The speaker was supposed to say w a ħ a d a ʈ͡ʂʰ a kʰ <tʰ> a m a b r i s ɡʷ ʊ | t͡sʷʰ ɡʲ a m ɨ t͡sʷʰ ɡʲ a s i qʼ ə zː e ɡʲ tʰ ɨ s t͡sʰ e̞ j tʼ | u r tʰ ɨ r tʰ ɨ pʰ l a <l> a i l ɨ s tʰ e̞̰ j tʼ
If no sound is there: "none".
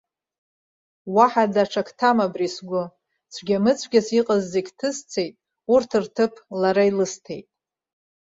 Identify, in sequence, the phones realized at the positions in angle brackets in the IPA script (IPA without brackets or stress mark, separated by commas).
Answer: tʰ, ɾ